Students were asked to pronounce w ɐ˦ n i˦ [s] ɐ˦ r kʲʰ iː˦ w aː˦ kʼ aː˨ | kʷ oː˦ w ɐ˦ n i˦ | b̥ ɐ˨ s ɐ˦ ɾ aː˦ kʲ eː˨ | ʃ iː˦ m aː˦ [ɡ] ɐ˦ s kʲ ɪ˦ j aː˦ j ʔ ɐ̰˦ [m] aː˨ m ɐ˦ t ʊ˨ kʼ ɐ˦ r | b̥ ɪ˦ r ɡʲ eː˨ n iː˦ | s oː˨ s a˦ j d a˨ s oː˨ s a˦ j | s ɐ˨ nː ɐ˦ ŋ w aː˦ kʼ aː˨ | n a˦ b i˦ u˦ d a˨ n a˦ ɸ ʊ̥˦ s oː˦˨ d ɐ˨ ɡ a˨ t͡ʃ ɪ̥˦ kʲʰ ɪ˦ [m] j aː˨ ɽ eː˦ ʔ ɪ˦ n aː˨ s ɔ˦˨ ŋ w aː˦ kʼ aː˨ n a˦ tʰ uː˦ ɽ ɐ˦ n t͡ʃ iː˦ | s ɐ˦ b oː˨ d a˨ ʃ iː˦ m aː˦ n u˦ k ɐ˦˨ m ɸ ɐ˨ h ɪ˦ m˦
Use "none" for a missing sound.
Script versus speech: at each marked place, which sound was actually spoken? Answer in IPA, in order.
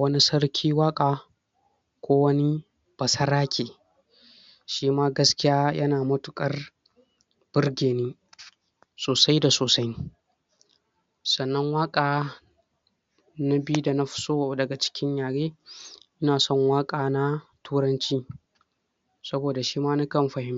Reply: s, ɡ, n, ɲ

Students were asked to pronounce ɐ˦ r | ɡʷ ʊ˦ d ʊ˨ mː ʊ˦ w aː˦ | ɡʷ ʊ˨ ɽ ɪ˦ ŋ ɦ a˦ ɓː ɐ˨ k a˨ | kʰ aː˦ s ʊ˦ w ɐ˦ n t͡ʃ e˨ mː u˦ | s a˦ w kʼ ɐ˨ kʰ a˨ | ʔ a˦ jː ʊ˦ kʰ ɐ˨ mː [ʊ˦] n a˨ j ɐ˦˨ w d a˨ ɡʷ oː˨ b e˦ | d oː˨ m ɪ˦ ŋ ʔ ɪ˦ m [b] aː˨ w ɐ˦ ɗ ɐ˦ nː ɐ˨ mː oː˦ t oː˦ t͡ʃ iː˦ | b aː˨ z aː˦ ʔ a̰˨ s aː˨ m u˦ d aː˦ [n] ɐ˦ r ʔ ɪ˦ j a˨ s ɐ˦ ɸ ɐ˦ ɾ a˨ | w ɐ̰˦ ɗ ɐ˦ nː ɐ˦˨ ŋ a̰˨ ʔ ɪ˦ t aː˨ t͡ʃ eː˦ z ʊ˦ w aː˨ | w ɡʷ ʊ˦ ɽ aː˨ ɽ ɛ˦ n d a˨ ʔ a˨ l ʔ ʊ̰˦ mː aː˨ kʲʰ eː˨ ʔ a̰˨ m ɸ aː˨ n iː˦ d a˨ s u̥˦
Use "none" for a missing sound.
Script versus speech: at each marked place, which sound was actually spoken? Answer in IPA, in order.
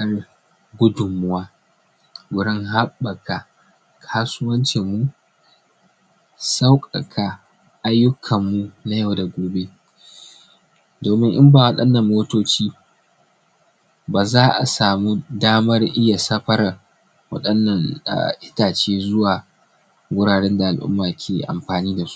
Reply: u˦, b, m

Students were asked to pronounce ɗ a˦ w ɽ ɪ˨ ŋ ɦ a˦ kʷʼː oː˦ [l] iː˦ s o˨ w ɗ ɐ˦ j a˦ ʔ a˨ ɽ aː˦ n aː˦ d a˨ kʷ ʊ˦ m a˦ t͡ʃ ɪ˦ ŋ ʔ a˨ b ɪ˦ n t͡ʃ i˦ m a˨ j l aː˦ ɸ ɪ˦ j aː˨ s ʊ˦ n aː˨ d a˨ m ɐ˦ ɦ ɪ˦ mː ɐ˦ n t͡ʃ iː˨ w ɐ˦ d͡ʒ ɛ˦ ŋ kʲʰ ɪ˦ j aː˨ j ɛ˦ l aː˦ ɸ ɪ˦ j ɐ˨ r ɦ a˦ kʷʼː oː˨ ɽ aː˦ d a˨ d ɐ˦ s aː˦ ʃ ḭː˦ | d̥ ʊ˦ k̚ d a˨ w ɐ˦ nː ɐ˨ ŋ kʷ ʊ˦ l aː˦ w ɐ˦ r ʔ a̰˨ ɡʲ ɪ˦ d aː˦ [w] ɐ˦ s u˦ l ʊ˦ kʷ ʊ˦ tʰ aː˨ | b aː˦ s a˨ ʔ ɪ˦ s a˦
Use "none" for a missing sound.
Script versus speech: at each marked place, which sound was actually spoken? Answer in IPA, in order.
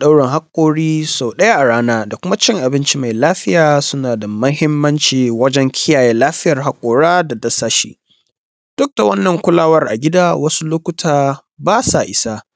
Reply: ɽ, w

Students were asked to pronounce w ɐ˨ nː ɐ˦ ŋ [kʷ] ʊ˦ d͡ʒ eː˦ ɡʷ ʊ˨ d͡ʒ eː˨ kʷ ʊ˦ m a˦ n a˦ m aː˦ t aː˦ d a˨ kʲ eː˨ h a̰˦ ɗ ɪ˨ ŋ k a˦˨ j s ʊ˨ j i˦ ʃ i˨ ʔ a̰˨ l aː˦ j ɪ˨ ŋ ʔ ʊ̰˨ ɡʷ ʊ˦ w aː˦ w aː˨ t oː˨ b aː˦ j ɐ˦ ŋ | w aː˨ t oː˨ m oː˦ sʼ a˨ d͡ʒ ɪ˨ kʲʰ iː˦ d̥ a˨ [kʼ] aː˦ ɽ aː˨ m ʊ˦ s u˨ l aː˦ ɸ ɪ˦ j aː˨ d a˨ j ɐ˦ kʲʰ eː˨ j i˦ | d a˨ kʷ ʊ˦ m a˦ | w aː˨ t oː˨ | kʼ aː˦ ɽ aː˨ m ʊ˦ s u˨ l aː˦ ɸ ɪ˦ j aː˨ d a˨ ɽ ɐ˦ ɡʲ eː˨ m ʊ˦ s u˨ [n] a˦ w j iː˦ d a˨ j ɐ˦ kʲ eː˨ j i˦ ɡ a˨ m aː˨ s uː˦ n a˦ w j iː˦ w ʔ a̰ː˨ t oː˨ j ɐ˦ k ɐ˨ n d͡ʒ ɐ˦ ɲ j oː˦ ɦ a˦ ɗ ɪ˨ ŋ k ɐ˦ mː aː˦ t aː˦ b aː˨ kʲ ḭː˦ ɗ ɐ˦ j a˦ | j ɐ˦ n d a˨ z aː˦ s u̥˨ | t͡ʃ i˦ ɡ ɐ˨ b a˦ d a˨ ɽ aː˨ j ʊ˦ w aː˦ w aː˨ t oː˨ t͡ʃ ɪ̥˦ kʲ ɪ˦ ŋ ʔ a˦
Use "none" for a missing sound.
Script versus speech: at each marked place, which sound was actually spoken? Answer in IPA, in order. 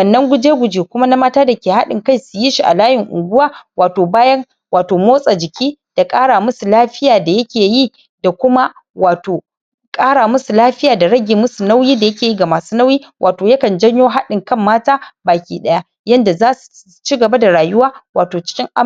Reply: ɡʷ, kʼ, n

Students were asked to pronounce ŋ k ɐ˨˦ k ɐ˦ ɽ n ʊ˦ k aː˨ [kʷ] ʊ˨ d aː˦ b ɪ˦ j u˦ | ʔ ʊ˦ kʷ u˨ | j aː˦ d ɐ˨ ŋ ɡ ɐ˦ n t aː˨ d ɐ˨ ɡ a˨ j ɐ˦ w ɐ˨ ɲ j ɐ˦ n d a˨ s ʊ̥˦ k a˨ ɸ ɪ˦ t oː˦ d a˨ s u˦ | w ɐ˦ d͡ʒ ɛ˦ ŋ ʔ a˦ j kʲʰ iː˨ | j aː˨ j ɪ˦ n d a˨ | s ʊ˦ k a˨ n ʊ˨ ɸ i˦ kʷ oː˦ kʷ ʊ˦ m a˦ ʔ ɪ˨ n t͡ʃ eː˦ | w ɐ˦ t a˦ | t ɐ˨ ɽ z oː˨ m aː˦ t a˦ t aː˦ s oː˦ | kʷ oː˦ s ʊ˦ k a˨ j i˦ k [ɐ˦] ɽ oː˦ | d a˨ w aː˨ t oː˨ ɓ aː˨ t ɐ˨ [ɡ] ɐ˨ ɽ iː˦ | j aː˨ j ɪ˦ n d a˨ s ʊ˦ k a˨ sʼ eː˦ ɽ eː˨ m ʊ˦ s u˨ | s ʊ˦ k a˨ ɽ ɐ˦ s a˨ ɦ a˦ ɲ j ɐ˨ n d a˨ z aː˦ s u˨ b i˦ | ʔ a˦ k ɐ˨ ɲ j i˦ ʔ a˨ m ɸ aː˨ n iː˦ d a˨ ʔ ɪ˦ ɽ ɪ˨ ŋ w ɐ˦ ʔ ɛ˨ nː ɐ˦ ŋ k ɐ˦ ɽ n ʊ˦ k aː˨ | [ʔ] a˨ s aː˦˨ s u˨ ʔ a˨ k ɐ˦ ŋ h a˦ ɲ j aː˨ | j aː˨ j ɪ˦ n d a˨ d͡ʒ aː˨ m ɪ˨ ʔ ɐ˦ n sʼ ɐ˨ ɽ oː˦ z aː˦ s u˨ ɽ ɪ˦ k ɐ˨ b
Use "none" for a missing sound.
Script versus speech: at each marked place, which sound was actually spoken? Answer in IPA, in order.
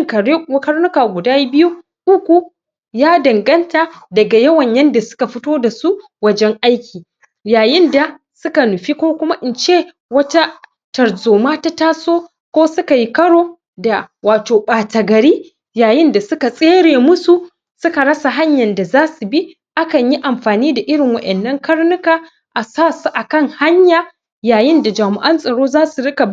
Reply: ɡʷ, ɐ˦, ɡ, ʔ

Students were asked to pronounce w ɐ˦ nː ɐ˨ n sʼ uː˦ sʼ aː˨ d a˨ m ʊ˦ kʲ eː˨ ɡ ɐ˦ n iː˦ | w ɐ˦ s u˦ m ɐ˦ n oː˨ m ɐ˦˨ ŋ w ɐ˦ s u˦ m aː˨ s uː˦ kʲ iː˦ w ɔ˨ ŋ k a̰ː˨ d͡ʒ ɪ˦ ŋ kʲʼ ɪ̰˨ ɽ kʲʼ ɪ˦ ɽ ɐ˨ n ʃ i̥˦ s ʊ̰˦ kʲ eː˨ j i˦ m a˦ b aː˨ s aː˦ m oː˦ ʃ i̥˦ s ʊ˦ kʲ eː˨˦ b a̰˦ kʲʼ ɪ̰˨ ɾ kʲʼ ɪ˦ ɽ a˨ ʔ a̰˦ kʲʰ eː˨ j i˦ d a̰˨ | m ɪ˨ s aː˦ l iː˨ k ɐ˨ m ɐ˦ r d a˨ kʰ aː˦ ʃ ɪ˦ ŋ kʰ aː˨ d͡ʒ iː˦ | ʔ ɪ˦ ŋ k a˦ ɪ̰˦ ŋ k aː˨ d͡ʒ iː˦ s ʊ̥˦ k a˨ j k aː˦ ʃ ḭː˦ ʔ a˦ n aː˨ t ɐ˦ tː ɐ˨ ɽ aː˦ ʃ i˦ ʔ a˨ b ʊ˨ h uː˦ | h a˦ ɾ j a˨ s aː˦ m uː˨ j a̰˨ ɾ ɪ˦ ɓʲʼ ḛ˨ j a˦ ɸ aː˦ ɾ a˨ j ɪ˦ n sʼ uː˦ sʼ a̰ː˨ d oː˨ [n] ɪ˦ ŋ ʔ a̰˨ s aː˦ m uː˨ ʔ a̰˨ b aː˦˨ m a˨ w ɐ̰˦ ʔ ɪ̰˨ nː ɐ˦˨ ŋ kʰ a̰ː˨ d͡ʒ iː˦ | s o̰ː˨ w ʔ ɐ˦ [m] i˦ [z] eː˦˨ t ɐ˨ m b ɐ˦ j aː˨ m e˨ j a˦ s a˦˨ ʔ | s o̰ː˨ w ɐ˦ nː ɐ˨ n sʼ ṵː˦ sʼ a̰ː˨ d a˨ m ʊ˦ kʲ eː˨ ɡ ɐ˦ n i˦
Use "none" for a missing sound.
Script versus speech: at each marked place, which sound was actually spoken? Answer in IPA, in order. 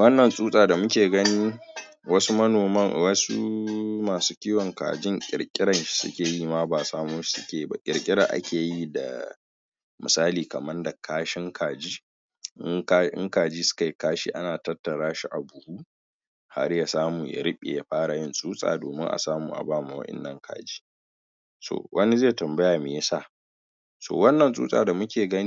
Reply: m, n, z

